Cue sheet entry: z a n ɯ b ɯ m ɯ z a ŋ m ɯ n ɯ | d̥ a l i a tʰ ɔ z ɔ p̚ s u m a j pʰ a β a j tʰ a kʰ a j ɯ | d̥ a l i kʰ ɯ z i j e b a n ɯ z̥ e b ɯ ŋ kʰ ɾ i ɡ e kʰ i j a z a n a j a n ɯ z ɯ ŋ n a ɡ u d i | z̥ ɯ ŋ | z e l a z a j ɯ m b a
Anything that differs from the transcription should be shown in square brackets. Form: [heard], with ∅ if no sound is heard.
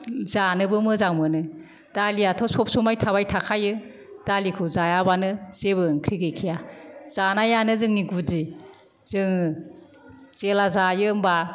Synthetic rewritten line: z a n ɯ b ɯ m ɯ z a ŋ m ɯ n ɯ | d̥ a l i a tʰ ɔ [s] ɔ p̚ s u m a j [tʰ] a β a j tʰ a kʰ a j ɯ | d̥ a l i kʰ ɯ z [a] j [a] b a n ɯ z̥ e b ɯ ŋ kʰ ɾ i ɡ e kʰ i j a z a n a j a n ɯ z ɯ ŋ n [i] ɡ u d i | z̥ ɯ ŋ | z e l a z a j ɯ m b a